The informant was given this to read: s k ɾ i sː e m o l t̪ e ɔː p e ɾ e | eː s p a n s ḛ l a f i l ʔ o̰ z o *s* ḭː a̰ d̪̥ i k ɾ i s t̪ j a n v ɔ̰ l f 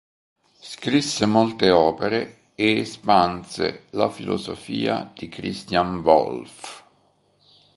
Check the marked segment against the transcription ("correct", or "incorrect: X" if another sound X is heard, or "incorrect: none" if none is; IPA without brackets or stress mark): incorrect: f